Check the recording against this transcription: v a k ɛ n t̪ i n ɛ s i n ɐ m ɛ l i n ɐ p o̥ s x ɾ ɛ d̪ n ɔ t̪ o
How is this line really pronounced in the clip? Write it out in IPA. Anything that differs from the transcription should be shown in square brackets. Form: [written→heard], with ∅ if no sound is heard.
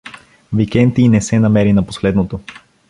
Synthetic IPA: v [a→i] k ɛ n t̪ i n ɛ s [i→ɛ] n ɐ m ɛ [l→ɾ] i n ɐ p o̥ s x [ɾ→l] ɛ d̪ n [ɔ→o] t̪ o